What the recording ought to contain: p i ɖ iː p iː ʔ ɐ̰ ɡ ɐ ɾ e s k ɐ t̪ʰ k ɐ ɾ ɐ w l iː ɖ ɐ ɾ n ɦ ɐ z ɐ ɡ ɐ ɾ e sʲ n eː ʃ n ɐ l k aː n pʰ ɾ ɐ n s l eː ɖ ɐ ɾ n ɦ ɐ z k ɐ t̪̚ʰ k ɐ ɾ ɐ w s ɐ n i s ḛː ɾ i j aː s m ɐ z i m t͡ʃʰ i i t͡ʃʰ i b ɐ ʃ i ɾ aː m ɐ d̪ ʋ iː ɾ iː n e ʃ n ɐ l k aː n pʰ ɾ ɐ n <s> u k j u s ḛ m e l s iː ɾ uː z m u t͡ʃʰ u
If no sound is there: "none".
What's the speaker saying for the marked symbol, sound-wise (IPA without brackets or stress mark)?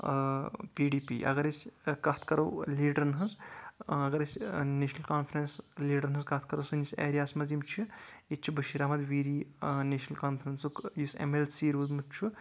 s